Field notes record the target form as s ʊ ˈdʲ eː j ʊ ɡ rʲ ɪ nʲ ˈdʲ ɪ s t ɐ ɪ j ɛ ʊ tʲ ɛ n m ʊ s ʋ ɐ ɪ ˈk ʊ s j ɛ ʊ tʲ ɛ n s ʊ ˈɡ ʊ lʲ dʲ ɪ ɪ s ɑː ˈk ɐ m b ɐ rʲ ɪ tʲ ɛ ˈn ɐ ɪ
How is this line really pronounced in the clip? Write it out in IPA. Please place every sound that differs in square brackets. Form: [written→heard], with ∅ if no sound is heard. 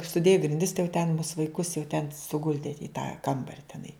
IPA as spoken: s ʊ ˈdʲ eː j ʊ ɡ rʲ ɪ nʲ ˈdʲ ɪ s t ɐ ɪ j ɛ ʊ tʲ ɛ n m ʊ s ʋ ɐ ɪ ˈk ʊ s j ɛ ʊ tʲ ɛ n s ʊ ˈɡ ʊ lʲ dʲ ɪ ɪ [s→t] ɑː ˈk ɐ m b ɐ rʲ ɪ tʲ ɛ ˈn ɐ ɪ